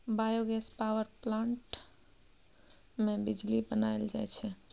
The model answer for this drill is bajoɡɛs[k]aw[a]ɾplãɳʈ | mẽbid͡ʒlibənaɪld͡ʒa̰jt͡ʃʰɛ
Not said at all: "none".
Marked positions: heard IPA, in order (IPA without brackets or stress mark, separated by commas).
p, ə